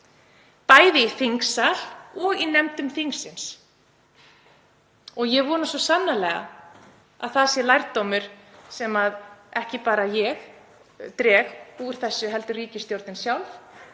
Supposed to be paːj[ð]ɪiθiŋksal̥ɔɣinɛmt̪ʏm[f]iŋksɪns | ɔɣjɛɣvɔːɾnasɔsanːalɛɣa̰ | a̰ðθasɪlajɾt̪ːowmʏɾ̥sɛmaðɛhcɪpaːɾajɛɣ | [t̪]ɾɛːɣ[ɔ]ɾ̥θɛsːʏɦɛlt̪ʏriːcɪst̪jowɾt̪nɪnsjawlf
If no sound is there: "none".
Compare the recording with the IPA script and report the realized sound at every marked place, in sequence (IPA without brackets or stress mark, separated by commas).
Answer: ð, θ, t̪, u